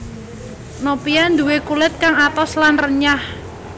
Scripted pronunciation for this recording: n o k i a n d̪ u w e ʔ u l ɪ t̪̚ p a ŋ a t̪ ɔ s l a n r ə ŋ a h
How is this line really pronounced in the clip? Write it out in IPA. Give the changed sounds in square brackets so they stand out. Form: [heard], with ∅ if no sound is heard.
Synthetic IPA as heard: n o [p] i a n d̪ u w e [k] u l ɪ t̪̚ [k] a ŋ a t̪ ɔ s l a n r ə [ɲ] a h